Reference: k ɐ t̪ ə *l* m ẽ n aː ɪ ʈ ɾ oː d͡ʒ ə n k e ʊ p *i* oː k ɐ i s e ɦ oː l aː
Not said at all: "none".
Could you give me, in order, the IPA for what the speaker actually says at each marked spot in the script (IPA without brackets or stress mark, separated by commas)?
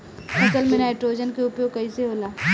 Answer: l, j